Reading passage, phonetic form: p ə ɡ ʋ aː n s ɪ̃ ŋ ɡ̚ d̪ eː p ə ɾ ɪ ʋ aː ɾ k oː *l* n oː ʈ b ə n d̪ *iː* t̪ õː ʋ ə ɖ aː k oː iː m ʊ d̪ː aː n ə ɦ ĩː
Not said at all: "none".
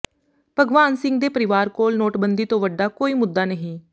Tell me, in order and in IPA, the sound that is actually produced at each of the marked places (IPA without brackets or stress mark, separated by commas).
l, iː